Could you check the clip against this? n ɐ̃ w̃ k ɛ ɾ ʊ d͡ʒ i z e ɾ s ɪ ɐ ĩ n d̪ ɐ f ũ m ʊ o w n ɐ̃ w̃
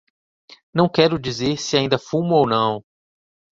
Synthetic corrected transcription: n ɐ̃ w̃ k ɛ ɾ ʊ d͡ʒ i z e ɾ s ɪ a ĩ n d̪ ɐ f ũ m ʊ o w n ɐ̃ w̃